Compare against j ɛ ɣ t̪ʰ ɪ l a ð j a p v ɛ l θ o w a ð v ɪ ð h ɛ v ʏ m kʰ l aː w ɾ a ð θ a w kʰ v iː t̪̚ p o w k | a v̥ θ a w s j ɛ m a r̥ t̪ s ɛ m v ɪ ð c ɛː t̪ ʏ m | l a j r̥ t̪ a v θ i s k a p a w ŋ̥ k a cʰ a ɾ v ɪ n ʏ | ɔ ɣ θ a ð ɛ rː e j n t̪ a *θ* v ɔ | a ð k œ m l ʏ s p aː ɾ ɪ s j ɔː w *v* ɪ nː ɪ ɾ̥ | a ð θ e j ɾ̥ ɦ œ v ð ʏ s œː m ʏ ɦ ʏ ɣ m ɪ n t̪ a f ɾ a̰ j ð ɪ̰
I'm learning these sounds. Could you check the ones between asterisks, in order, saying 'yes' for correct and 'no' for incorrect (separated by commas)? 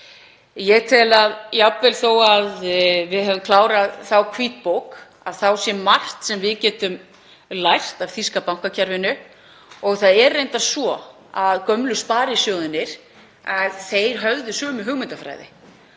no, no